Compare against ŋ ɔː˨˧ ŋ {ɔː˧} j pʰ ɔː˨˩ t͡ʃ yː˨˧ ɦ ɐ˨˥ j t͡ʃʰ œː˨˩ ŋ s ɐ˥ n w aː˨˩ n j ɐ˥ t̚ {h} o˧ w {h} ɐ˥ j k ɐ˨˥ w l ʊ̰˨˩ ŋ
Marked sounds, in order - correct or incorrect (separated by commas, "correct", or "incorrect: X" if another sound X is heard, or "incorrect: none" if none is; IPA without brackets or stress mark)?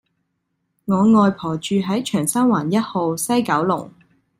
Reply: correct, correct, incorrect: s